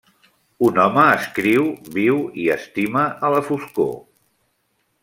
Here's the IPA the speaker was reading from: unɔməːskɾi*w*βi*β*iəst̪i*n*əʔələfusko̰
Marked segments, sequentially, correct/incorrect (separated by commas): correct, incorrect, incorrect